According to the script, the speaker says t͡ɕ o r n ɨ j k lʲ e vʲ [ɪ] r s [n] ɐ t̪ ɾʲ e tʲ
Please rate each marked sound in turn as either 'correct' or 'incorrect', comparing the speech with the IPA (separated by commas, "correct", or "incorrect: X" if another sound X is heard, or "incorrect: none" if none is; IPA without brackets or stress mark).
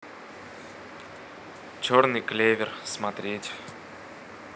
correct, incorrect: m